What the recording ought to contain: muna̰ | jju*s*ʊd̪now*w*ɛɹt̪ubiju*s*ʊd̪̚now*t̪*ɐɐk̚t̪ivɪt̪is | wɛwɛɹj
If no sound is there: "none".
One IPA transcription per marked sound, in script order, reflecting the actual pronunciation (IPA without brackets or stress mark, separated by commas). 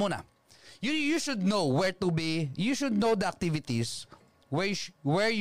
ʃ, w, ʃ, d̪